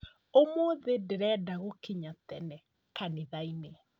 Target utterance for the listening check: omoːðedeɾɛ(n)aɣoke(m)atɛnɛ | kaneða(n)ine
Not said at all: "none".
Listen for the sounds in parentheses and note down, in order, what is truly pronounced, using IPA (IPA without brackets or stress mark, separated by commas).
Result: d, ɲ, none